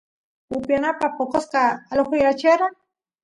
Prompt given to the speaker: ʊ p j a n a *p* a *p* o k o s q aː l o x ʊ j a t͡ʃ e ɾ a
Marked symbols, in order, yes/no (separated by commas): yes, yes